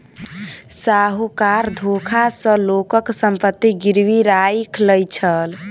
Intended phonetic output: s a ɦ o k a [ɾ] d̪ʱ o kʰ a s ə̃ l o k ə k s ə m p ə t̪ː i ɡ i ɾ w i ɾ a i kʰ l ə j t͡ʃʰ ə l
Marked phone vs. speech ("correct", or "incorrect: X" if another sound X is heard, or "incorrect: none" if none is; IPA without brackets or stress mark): correct